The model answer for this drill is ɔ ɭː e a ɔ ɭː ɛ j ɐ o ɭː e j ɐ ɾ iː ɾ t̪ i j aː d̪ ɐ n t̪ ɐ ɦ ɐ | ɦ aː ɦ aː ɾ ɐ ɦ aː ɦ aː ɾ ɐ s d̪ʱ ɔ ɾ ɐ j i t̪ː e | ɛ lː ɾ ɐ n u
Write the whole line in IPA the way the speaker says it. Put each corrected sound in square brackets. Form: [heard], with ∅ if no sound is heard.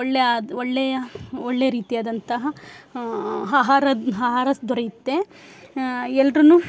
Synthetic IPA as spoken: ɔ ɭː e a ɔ ɭː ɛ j ɐ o ɭː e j ɐ ɾ iː [∅] t̪ i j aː d̪ ɐ n t̪ ɐ ɦ ɐ | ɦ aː ɦ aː ɾ ɐ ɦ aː ɦ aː ɾ ɐ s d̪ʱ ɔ ɾ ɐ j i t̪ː e | ɛ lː ɾ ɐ n u